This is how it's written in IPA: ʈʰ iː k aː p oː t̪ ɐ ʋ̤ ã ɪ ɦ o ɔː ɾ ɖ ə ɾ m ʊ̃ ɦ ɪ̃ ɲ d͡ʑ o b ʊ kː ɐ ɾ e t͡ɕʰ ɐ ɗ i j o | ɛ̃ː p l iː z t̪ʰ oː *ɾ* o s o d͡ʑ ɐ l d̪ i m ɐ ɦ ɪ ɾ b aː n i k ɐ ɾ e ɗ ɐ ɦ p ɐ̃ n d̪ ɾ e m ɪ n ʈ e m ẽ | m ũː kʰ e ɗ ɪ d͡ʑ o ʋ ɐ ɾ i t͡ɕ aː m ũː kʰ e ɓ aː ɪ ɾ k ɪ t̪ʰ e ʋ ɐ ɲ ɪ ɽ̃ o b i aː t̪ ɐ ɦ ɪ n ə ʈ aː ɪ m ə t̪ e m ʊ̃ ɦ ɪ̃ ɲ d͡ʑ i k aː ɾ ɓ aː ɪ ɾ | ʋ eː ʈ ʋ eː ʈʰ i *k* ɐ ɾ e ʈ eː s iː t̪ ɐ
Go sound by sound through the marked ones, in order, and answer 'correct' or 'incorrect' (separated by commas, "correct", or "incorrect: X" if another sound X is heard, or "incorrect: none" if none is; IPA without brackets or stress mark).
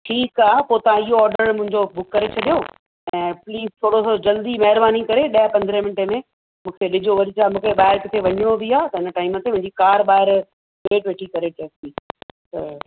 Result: incorrect: ɽ, correct